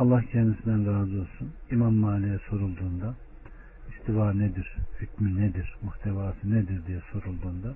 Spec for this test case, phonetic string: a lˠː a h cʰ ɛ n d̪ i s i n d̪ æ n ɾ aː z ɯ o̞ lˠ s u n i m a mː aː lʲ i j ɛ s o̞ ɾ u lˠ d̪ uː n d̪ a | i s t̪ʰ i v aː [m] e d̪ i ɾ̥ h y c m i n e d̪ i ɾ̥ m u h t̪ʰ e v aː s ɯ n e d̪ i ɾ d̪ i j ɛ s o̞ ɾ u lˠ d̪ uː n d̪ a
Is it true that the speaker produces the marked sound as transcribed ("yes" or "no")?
no